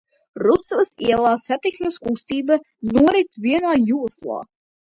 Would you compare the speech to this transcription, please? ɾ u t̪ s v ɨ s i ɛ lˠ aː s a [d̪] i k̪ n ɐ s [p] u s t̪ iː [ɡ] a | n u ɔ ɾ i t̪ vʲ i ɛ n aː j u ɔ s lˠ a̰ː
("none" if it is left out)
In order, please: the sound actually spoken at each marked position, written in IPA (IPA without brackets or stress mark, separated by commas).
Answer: t̪, k, b